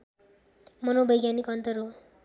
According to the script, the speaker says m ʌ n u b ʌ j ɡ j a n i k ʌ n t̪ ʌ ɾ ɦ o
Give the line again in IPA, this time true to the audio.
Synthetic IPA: m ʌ n o b ʌ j ɡ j a n i k ʌ n t̪ ʌ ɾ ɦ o